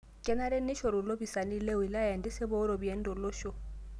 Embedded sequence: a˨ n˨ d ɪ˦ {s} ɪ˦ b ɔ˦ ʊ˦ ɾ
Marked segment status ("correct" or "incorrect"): correct